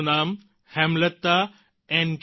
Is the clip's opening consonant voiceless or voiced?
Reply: voiced